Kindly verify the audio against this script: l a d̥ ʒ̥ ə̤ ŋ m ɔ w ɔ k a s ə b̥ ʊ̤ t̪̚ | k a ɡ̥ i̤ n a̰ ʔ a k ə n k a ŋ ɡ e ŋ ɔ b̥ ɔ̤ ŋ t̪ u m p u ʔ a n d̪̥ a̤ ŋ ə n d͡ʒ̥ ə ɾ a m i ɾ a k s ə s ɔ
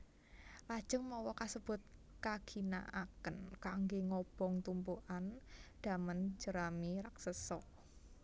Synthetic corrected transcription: l a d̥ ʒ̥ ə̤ ŋ m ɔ w ɔ k a s ə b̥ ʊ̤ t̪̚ | k a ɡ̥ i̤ n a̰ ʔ a k ə n k a ŋ ɡ e ŋ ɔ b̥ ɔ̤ ŋ t̪ u m p u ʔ a n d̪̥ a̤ m ə n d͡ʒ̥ ə ɾ a m i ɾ a k s ə s ɔ